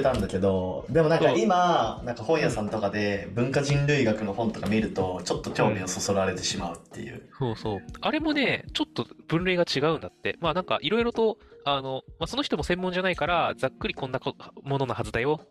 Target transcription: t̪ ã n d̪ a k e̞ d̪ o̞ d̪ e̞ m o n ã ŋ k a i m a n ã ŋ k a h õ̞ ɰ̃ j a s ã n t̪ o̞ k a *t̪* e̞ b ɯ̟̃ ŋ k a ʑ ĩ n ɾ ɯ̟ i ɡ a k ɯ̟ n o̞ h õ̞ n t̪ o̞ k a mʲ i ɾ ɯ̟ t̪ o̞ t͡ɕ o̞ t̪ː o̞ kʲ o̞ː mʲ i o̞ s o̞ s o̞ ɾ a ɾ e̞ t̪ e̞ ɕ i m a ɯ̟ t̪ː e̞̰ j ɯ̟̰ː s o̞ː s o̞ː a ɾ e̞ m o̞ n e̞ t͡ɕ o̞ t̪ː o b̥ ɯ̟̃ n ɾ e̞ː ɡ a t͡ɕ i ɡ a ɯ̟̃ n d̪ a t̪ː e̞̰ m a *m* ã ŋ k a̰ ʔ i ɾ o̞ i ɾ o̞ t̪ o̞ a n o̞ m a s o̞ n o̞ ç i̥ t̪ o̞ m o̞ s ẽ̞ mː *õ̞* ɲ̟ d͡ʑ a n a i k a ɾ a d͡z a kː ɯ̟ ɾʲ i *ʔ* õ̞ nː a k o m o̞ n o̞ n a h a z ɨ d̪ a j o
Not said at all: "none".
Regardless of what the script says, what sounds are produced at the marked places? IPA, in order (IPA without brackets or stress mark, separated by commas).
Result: d̪, n, õ̞, k